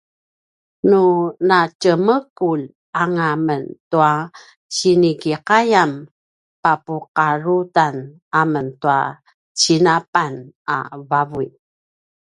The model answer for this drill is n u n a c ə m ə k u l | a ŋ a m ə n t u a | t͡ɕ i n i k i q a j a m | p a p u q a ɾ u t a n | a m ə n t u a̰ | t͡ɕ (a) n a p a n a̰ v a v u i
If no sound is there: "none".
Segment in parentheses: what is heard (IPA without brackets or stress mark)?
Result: i